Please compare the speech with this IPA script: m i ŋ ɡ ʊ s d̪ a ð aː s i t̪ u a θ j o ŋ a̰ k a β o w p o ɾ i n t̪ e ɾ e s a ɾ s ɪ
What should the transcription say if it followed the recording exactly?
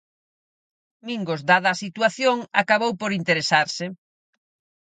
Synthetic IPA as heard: m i ŋ ɡ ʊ z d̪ a ð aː s i t̪ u a θ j o ŋ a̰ k a β o w p o ɾ i n t̪ e ɾ e s a ɾ s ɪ